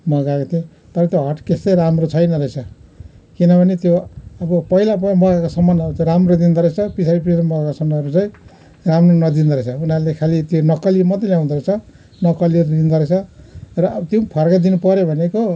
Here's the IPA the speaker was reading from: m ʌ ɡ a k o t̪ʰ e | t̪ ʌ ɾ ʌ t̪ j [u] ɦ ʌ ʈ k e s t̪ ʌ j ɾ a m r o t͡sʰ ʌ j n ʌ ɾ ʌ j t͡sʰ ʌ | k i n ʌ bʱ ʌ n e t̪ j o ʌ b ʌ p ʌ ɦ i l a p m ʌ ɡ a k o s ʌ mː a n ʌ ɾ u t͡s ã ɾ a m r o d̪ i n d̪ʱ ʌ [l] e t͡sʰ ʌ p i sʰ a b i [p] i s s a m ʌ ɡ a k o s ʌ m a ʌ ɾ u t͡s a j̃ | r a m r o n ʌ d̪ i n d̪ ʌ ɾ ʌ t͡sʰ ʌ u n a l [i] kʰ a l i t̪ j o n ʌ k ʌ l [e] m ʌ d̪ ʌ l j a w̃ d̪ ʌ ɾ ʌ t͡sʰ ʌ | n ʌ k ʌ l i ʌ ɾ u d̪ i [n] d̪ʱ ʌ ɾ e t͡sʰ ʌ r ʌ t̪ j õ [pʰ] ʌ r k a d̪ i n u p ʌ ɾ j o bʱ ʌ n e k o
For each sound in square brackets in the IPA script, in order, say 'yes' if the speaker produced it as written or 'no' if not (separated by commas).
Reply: no, no, yes, no, no, yes, yes